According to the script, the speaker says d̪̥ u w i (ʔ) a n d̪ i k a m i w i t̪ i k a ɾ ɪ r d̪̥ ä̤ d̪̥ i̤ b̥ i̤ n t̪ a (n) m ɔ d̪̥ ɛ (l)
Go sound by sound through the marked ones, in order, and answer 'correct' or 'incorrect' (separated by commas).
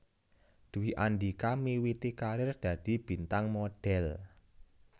correct, incorrect, correct